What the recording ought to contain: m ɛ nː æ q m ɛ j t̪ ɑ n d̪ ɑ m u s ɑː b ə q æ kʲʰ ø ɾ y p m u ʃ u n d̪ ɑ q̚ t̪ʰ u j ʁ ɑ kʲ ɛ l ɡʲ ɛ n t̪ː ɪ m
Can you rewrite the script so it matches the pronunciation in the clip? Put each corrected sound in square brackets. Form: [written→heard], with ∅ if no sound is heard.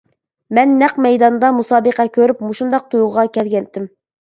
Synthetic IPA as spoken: m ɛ nː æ q m ɛ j [t̪→d̪] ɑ n d̪ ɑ m u s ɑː b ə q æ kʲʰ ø ɾ y p m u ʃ u n d̪ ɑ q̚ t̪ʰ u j ʁ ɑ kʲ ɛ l ɡʲ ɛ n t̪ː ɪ m